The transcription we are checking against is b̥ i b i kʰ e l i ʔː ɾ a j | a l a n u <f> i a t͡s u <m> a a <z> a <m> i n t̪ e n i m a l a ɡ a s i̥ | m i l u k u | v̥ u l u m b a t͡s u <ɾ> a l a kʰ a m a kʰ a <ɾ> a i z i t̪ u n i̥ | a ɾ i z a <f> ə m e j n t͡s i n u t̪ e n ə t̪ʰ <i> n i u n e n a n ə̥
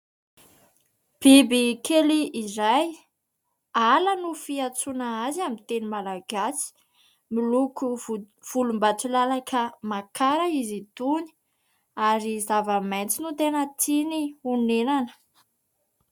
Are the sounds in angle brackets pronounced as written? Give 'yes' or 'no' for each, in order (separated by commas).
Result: yes, no, yes, yes, no, yes, no, yes